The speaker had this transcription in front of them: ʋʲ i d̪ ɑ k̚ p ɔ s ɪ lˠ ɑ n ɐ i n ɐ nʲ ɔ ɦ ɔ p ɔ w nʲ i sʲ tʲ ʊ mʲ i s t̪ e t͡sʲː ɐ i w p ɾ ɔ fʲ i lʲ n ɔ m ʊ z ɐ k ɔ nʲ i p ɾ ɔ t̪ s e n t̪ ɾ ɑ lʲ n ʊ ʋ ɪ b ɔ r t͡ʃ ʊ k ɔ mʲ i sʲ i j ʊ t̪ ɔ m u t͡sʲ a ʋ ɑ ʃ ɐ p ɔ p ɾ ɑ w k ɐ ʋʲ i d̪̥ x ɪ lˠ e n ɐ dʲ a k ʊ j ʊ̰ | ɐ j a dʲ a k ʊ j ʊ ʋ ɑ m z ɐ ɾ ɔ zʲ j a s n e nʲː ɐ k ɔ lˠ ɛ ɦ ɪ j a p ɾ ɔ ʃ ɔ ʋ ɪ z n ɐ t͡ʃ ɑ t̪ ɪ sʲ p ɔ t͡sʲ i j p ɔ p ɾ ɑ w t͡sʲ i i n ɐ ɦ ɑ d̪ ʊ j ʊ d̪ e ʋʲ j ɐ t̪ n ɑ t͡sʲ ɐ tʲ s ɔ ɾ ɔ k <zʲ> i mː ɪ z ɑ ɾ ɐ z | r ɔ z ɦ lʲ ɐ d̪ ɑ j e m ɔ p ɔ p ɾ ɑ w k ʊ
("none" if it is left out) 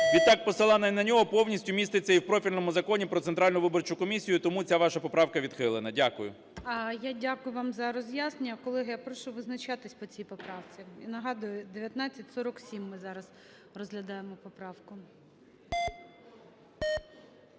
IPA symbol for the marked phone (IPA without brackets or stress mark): sʲ